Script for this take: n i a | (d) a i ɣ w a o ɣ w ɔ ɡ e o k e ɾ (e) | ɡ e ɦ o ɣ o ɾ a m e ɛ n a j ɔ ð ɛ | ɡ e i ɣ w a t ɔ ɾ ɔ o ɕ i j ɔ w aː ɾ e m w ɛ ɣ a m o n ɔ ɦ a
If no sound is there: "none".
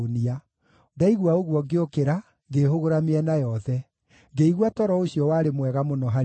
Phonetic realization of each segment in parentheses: d, a

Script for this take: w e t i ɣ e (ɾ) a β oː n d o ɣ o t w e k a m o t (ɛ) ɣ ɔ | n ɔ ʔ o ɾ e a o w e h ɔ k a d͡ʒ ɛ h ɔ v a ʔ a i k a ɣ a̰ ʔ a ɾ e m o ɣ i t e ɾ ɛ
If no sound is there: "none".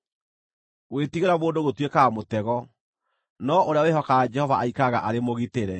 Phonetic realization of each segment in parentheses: ɾ, ɛ

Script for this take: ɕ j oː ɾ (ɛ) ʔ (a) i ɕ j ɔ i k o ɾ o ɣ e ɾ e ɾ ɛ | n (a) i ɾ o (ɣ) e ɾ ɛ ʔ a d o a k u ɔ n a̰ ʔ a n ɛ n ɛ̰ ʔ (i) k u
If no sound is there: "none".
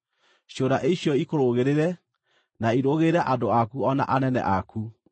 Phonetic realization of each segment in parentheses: a, e, a, ɣ, a

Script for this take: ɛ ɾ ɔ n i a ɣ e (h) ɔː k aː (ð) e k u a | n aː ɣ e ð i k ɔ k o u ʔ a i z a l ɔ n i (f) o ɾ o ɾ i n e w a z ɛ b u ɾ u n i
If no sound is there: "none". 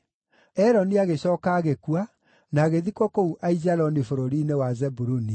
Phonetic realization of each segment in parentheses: ɕ, ɣ, f

